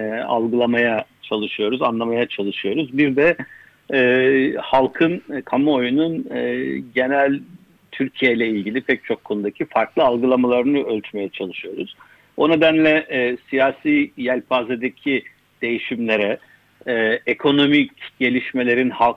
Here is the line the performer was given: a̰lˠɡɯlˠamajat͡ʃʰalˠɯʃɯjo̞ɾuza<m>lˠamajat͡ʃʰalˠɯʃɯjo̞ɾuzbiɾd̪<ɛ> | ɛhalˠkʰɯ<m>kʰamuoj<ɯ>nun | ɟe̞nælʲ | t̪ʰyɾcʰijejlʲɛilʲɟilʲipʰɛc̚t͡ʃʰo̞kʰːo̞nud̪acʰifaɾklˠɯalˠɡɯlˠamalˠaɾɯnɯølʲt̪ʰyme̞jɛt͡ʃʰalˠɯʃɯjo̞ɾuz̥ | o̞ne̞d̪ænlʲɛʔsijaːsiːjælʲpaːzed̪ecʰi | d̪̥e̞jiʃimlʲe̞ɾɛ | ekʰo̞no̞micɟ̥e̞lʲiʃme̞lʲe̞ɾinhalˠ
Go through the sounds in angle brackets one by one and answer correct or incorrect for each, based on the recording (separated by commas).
incorrect, correct, incorrect, incorrect